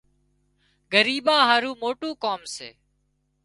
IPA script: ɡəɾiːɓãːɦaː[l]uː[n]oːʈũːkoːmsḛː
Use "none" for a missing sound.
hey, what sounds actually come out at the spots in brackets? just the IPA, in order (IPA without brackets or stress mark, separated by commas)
ɾ, m